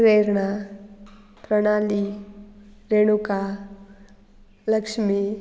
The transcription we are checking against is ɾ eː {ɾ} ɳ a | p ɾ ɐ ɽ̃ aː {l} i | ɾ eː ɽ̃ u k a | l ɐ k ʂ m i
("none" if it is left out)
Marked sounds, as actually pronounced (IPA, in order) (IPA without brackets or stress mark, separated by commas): ɾ, l